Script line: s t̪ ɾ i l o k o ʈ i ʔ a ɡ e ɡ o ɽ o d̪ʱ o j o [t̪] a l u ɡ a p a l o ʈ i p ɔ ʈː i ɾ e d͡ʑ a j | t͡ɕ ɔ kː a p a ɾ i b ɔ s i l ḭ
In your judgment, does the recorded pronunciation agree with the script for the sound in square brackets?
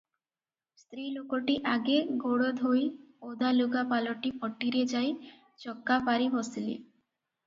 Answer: no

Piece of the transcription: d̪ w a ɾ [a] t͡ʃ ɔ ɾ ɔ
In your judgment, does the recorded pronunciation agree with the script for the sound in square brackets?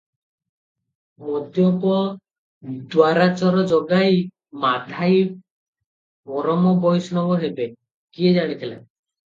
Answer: yes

